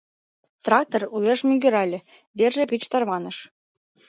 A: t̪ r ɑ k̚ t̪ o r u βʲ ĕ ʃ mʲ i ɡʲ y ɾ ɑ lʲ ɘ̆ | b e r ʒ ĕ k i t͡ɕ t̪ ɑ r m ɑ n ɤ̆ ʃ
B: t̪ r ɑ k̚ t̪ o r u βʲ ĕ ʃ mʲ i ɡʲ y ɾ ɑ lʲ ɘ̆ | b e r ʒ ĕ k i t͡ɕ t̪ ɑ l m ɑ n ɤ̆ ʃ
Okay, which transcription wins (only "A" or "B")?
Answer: A